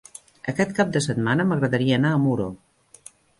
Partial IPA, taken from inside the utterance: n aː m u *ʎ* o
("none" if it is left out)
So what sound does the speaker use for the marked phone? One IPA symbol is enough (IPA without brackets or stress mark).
ɾ